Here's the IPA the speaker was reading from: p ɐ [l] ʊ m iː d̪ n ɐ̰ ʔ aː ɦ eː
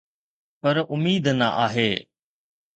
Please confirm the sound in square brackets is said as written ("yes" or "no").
no